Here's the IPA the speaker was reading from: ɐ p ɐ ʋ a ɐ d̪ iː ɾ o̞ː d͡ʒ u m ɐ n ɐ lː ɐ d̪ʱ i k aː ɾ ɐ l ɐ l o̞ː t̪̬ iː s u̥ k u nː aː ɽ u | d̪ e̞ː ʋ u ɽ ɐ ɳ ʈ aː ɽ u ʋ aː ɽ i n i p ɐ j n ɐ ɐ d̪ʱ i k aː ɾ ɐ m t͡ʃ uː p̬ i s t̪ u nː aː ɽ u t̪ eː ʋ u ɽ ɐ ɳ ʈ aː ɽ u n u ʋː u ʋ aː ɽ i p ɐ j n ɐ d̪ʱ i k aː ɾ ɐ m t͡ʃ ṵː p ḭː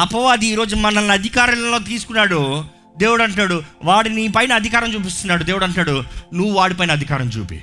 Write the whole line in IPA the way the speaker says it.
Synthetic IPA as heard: ɐ p ɐ ʋ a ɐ d̪ iː ɾ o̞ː d͡ʒ u m ɐ n ɐ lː ɐ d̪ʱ i k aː ɾ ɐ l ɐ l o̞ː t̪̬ iː s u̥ k u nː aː ɽ u | d̪ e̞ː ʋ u ɽ ɐ ɳ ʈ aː ɽ u ʋ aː ɽ i n i p ɐ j n ɐ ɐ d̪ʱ i k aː ɾ ɐ m t͡ʃ uː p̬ i s t̪ u nː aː ɽ u d̪ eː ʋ u ɽ ɐ ɳ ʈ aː ɽ u n u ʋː u ʋ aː ɽ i p ɐ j n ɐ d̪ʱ i k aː ɾ ɐ m t͡ʃ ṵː p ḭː